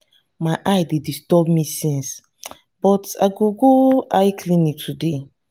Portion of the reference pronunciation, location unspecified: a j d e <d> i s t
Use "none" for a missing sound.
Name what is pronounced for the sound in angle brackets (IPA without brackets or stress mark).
d